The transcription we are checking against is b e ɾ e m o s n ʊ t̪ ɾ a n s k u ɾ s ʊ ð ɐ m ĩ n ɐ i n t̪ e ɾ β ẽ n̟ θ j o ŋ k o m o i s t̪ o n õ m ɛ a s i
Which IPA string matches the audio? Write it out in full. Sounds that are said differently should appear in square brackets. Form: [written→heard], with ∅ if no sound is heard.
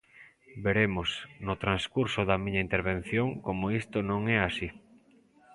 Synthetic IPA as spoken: b e ɾ e m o s n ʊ t̪ ɾ a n s k u ɾ s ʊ ð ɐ m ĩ [n→ɲ] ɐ i n t̪ e ɾ β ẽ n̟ θ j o ŋ k o m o i s t̪ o n õ [m→ŋ] ɛ a s i

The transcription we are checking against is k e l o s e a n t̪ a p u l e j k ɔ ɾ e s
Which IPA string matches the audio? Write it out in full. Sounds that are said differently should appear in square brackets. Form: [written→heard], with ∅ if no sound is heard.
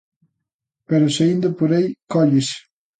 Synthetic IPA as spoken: [k→p] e [l→ɾ] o s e [a→i] n [t̪→d̪] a p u [l→ɾ] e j k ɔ [ɾ→ʎ] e s

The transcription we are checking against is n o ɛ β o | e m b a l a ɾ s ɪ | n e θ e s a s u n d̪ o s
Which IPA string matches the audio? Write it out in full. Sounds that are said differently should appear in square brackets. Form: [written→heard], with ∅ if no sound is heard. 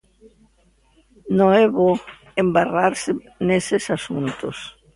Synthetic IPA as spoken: n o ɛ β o | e m b a [l→r] a ɾ s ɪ | n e [θ→s] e s a s u n [d̪→t̪] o s

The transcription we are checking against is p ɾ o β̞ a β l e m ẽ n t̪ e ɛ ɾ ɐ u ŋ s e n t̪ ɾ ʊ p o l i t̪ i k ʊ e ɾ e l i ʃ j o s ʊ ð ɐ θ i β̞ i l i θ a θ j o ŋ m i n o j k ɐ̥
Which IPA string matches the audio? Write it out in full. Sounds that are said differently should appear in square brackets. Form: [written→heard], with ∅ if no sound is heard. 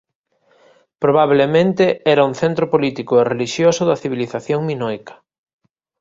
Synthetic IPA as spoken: p ɾ o β̞ a β l e m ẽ n t̪ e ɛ ɾ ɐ u ŋ [s→θ] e n t̪ ɾ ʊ p o l i t̪ i k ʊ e [ɾ→r] e l i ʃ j o s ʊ ð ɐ θ i β̞ i l i θ a θ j o ŋ m i n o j k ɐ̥

